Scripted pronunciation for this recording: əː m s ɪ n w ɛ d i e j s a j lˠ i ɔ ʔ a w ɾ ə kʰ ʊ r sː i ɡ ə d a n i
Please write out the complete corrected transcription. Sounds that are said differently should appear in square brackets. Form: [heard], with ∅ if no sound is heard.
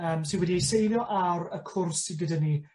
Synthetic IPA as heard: əː m s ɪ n w ɛ d i e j s [e] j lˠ [j] ɔ ʔ a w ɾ ə kʰ ʊ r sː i ɡ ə d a n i